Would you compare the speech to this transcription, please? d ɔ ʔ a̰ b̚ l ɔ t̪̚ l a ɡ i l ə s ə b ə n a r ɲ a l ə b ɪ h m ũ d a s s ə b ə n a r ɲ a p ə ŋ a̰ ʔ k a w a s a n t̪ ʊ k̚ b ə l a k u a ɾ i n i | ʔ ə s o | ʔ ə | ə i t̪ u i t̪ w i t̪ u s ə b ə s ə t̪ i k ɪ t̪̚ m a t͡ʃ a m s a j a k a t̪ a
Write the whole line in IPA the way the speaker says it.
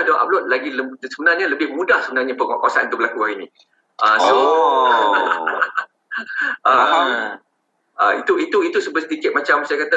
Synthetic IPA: d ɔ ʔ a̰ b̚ l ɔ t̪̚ l a ɡ i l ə s ə b ə n a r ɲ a l ə b ɪ h m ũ d a h s ə b ə n a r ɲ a p ə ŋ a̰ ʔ k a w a s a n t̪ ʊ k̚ b ə l a k u a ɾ i n i | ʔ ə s o | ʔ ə | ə i t̪ u i t̪ u i t̪ u s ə b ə s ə t̪ i k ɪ t̪̚ m a t͡ʃ a m s a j a k a t̪ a